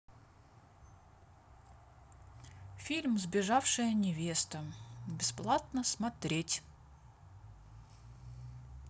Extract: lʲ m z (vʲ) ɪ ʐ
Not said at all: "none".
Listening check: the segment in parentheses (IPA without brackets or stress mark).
bʲ